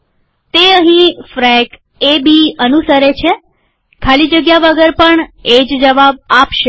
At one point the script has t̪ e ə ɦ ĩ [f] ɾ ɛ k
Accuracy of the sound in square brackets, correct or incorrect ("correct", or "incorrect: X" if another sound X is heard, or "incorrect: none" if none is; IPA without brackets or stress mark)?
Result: correct